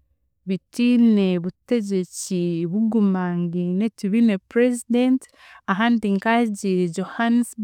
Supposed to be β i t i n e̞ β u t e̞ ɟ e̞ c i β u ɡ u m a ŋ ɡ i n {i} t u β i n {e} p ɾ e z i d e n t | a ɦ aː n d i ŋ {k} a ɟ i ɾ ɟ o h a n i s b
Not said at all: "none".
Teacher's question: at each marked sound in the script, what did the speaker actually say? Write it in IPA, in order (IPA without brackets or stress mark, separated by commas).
e, e, k